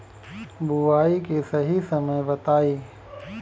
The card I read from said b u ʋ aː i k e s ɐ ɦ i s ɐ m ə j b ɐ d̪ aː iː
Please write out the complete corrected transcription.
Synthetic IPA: b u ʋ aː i k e s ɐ ɦ i s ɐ m ə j b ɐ t̪ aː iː

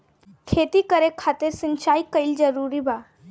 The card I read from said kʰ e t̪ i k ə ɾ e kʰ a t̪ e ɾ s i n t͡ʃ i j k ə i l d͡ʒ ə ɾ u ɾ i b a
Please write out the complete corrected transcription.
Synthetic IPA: kʰ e t̪ i k ə ɾ e kʰ a t̪ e ɾ s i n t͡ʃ a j k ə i l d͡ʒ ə ɾ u ɾ i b a

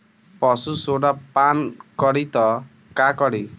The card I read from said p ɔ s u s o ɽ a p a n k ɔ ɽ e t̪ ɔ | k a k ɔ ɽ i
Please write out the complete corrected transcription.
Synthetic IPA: p ɔ s u s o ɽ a p a n k ɔ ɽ i t̪ ɔ | k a k ɔ ɽ i

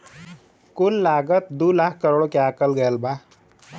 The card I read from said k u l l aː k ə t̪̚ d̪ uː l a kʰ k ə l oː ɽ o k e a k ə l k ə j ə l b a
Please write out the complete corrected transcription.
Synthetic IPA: k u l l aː ɡ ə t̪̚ d̪ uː l a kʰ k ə ɾ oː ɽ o k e a k ə l ɡ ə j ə l b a

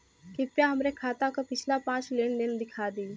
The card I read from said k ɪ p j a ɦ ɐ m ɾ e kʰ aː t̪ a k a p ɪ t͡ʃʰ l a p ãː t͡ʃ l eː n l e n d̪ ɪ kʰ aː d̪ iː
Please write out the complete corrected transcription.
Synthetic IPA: k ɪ p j a ɦ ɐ m ɾ e kʰ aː t̪ a k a p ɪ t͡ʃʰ l a p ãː t͡ʃ l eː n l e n d̪ ɪ kʰ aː d̪ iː

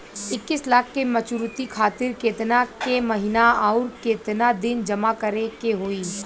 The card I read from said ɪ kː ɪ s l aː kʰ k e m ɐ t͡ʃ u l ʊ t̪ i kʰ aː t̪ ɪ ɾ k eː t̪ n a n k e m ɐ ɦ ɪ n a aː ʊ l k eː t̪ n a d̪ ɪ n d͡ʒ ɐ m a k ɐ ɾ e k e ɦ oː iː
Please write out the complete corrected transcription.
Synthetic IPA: ɪ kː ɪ s l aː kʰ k e m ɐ t͡ʃ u ɾ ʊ t̪ i kʰ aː t̪ ɪ ɾ k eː t̪ n a k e m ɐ ɦ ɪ n a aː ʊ ɾ k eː t̪ n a d̪ ɪ n d͡ʒ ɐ m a k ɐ ɾ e k e ɦ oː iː

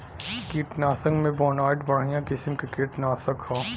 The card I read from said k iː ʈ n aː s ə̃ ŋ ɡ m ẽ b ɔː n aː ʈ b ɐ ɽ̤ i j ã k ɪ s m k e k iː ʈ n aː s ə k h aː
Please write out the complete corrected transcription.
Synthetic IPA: k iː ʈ n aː s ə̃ ŋ ɡ m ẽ b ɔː n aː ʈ b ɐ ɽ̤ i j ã k ɪ s m k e k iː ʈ n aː s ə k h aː

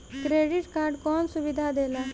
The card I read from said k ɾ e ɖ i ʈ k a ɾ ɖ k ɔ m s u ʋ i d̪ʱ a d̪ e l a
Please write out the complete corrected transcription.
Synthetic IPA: k ɾ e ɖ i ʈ k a ɾ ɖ k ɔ n s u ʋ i d̪ʱ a d̪ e l a

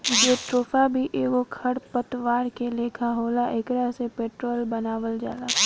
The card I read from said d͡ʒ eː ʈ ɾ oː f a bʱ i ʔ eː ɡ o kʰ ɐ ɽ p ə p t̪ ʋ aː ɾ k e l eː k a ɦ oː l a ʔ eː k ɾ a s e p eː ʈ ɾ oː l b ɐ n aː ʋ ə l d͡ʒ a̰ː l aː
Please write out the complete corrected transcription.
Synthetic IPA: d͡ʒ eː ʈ ɾ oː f a bʱ i ʔ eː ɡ o kʰ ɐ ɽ p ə t̪ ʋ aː ɾ k e l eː kʰ a ɦ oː l a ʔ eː k ɾ a s e p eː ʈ ɾ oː l b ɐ n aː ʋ ə l d͡ʒ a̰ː l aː

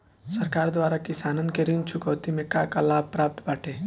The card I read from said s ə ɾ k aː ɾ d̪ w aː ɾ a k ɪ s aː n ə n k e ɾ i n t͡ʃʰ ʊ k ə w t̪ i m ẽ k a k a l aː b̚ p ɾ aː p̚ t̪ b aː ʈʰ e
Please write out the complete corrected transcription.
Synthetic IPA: s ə ɾ k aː ɾ d̪ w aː ɾ a k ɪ s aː n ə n k e ɾ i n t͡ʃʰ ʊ k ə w t̪ i m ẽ k a k a l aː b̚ p ɾ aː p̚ t̪ b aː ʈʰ e

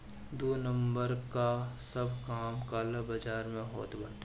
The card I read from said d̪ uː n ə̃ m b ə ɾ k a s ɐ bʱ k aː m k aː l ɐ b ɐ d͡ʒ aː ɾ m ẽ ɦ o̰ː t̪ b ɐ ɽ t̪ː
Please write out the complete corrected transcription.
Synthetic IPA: d̪ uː n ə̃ m b ə ɾ k a s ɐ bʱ k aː m k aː l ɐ b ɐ d͡ʒ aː ɾ m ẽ ɦ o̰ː t̪ b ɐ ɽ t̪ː

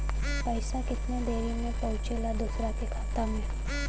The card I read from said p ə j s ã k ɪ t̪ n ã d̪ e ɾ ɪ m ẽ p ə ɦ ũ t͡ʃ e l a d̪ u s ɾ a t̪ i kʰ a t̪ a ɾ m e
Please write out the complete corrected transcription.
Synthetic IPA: p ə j s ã k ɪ t̪ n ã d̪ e ɾ i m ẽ p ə ɦ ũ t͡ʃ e l a d̪ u s ɾ a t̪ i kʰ a t̪ a m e

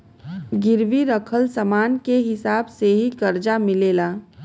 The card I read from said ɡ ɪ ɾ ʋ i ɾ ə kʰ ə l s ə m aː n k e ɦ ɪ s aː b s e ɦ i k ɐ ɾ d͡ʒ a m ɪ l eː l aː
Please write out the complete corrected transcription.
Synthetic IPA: ɡ ɪ ɾ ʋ i ɾ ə kʰ ə l s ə m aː n k e ɦ ɪ s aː b s e ɦ i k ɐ ɾ d͡ʒ a m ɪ l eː l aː

